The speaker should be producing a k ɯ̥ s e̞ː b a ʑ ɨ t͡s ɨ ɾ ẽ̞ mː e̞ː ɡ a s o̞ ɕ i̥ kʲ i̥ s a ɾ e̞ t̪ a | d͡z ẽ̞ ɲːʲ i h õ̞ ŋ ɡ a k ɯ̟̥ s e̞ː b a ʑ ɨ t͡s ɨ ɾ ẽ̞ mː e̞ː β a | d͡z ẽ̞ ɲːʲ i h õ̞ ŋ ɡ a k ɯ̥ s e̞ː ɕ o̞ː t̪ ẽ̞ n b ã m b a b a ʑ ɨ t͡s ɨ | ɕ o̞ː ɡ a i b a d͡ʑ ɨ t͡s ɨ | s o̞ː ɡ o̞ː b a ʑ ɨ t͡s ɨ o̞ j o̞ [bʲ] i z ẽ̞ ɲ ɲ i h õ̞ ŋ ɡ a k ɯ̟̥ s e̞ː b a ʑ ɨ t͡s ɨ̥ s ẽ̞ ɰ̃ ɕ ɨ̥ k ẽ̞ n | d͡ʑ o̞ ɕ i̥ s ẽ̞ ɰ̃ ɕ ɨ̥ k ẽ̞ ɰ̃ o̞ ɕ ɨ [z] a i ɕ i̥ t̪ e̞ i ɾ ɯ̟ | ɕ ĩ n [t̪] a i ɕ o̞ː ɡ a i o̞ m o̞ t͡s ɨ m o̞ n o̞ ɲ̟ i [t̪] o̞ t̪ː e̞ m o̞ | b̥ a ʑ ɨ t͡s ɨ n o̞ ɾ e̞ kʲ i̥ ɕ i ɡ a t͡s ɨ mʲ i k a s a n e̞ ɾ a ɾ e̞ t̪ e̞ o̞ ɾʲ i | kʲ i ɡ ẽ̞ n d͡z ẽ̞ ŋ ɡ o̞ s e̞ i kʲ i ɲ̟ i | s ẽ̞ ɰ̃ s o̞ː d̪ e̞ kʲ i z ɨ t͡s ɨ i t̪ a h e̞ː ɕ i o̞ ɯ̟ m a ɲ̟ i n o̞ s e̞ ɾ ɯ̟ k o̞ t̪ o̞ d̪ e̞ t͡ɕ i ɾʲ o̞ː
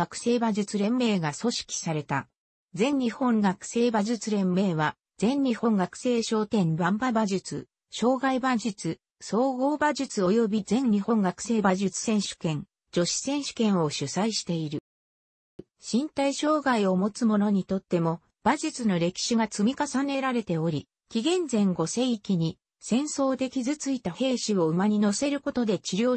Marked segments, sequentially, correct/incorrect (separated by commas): correct, incorrect, correct, correct